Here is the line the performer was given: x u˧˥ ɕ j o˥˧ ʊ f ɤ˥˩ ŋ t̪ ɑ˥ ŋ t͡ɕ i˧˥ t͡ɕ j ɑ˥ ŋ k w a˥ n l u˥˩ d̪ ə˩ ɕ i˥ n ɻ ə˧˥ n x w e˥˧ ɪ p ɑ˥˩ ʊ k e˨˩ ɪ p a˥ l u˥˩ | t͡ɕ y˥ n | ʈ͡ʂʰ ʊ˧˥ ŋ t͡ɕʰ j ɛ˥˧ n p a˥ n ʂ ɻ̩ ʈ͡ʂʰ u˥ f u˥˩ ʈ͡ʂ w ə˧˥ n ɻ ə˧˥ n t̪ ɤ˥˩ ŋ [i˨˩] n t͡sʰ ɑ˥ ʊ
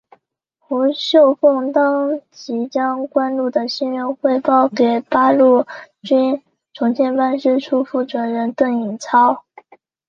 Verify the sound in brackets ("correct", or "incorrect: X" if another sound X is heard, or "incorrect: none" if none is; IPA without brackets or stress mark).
correct